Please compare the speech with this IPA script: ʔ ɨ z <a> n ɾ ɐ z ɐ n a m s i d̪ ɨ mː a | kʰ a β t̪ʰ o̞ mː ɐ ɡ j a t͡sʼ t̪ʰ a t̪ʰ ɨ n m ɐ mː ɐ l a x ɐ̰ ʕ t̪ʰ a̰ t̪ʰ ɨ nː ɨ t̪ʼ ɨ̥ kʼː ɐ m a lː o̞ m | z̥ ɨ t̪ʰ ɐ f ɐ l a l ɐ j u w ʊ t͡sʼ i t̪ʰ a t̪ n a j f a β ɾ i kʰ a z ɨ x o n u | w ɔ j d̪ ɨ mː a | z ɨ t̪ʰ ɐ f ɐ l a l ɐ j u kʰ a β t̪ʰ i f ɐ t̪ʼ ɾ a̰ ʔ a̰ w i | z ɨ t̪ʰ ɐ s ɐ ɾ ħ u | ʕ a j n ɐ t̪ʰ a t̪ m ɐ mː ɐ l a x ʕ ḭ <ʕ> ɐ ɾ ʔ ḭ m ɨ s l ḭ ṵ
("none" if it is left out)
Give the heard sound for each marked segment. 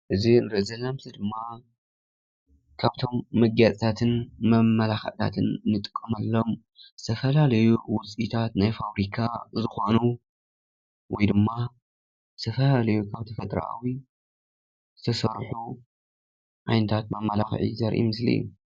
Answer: i, z

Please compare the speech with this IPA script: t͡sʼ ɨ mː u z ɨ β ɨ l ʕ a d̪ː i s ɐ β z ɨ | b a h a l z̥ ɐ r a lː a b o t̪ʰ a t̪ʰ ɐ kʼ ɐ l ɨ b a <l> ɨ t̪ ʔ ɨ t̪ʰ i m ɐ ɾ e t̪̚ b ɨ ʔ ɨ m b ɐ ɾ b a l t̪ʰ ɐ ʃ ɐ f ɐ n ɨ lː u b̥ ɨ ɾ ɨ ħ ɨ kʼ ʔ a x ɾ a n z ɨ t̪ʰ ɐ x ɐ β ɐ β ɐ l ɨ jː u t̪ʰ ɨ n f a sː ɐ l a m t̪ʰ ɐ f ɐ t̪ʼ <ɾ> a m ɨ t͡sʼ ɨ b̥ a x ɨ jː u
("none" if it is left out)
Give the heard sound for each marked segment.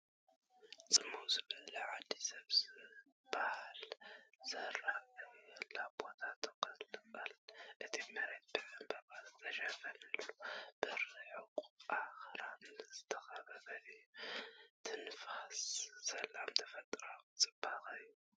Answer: l, ɾ

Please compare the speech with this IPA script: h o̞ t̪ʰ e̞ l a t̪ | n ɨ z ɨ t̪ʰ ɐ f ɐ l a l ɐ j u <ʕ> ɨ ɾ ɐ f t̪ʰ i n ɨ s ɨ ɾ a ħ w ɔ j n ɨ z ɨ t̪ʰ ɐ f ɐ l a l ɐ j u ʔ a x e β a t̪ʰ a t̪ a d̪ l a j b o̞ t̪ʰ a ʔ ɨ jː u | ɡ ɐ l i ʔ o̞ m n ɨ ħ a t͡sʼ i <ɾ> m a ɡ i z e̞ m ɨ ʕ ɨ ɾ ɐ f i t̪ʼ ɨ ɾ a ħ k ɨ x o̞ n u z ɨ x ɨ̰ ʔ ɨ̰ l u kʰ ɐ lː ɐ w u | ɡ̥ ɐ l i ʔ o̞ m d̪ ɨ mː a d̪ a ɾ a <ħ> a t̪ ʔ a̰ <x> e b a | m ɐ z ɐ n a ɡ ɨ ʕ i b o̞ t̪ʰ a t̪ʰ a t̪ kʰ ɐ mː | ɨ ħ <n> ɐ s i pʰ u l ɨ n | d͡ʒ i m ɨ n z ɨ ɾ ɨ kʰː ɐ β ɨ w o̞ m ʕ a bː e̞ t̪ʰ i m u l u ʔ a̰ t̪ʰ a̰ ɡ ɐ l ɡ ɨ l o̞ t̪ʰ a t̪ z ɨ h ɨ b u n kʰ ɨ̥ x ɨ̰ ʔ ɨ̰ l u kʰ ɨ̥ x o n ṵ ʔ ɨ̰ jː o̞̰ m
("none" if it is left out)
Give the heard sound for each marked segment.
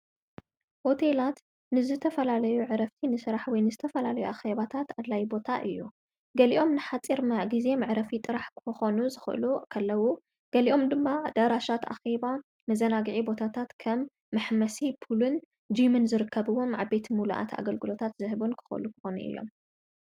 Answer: ʕ, ɾ, ʃ, x, m

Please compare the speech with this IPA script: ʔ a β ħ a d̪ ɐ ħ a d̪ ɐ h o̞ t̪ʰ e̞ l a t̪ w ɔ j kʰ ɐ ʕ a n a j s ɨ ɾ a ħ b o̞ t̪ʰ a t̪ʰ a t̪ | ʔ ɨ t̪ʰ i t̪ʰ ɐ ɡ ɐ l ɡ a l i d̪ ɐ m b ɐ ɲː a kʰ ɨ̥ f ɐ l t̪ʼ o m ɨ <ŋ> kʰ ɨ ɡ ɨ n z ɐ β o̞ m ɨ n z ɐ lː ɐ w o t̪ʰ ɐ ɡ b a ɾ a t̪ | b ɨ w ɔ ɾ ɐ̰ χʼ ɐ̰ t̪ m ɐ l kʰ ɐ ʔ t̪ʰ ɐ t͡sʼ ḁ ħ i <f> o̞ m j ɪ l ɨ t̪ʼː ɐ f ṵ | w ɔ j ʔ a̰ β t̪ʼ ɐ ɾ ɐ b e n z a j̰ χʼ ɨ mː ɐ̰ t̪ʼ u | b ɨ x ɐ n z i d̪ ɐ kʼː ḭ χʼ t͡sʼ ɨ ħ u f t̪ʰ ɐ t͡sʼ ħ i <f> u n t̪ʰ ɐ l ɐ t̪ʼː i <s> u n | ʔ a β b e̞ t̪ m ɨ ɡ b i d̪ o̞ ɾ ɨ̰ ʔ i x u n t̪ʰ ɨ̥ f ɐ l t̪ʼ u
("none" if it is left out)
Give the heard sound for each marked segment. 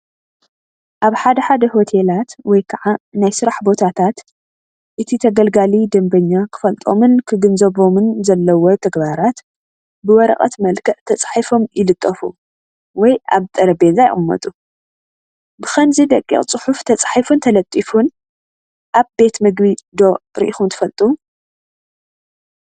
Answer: n, f, f, f

